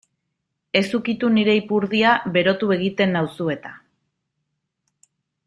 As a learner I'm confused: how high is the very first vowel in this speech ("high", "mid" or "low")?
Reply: mid